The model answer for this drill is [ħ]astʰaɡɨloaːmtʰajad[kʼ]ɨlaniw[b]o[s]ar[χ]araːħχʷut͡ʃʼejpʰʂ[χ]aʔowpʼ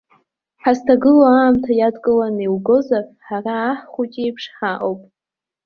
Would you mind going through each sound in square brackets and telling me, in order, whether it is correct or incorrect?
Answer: correct, correct, incorrect: ɡ, incorrect: z, incorrect: ħ, incorrect: ħ

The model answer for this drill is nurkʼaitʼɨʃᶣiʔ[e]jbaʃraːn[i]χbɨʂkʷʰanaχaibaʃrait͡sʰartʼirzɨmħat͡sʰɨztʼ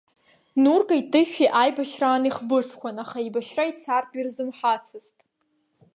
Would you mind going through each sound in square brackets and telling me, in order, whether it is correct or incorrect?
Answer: incorrect: a, correct

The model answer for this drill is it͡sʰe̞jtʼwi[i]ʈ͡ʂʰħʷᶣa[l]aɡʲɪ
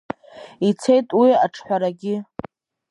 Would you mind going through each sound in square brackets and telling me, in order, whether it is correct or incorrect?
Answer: incorrect: a, incorrect: ɾ

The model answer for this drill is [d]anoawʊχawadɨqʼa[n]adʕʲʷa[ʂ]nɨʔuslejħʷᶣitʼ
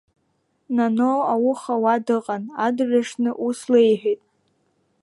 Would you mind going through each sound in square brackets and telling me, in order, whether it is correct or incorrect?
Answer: incorrect: n, correct, correct

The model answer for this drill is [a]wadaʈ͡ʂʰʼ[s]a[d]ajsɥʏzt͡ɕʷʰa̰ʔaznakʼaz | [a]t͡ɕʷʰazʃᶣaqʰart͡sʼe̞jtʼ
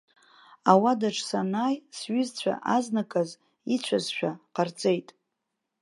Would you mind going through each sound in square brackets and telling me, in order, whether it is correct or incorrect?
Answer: correct, correct, incorrect: n, incorrect: i

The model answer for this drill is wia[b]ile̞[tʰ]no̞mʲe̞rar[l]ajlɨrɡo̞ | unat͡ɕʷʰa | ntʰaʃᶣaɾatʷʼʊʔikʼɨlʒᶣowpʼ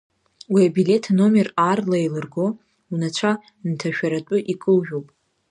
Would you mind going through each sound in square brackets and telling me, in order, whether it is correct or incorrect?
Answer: correct, correct, correct

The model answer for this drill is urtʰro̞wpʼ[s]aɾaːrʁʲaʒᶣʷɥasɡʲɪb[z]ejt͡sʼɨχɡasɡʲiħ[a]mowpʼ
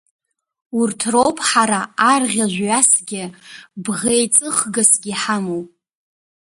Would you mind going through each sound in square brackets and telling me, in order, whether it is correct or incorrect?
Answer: incorrect: ħ, incorrect: ʁ, correct

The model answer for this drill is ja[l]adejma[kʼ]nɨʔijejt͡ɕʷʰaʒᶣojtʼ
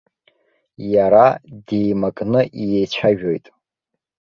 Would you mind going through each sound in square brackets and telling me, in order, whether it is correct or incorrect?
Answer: incorrect: ɾ, correct

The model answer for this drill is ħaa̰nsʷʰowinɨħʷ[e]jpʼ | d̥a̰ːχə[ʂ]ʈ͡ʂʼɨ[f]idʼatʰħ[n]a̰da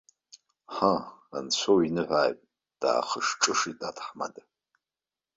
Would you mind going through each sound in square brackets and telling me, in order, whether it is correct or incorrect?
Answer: incorrect: a, correct, incorrect: ʂ, incorrect: m

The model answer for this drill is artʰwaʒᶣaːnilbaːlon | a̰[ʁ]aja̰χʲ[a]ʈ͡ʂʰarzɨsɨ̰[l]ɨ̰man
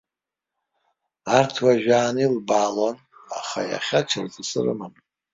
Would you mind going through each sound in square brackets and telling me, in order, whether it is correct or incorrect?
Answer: incorrect: χ, correct, incorrect: r

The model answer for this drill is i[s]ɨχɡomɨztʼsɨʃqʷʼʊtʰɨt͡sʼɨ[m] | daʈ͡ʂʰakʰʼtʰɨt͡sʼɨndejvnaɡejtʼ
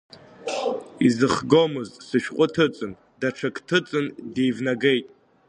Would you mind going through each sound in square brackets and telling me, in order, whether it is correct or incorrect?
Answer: incorrect: z, incorrect: n

